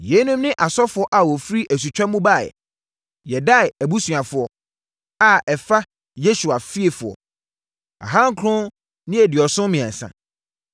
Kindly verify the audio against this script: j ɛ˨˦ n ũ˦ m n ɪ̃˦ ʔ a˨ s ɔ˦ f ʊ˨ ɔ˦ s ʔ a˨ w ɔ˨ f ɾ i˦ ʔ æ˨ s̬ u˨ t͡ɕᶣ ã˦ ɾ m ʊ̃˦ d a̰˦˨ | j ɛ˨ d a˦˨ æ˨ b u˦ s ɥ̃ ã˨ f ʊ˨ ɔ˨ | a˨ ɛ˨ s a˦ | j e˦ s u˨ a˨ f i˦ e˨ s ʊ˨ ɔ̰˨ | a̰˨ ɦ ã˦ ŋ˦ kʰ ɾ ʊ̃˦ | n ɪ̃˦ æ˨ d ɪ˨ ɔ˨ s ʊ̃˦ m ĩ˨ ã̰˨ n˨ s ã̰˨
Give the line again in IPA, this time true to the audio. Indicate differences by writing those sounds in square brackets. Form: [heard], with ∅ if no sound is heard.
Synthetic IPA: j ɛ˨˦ n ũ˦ m n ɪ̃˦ ʔ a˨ s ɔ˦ f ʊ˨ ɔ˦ [∅] ʔ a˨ w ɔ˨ f ɾ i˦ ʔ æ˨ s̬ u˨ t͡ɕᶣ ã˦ [∅] m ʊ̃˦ [b] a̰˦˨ | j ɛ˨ d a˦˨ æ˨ b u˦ s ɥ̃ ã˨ f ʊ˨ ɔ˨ | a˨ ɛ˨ [f] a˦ | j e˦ s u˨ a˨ f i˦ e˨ [f] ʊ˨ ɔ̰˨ | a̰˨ ɦ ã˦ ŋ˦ kʰ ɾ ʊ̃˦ | n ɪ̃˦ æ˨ d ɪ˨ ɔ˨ s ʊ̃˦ m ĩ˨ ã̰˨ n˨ s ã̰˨